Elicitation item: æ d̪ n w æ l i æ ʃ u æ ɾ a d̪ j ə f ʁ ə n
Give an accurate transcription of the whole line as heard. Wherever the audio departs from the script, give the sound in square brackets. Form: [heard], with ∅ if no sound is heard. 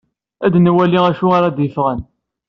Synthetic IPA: æ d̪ n w æ l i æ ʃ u [a] ɾ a d̪ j ə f ʁ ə n